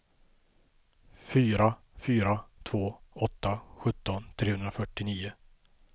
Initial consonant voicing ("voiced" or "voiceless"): voiceless